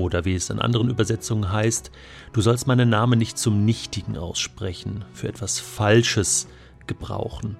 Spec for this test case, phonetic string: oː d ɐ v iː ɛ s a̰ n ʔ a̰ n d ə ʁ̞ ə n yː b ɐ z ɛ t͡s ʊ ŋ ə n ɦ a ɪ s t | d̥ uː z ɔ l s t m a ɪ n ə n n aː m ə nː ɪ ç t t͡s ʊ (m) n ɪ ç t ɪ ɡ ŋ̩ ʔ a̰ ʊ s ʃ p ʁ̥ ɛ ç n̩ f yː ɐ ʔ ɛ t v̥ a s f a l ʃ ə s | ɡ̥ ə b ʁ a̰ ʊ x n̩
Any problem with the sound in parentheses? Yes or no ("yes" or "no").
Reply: no